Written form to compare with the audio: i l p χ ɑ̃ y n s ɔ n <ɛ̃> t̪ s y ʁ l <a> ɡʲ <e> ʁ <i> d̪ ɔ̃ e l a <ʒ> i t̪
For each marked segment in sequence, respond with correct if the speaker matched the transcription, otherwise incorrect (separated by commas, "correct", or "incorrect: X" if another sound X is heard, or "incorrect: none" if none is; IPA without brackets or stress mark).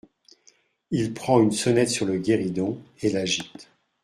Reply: incorrect: ɛ, incorrect: ə, correct, correct, correct